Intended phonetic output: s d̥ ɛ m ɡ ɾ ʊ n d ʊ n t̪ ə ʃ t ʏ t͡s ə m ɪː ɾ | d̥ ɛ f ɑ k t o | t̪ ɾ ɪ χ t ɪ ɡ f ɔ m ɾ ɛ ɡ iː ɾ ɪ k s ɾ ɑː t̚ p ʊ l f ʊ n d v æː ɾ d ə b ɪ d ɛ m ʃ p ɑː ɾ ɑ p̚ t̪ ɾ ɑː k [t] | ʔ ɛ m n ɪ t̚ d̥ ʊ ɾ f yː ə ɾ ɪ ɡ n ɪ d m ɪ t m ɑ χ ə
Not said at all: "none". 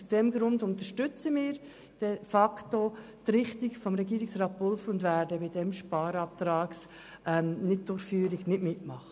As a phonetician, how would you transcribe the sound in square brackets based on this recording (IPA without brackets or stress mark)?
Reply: s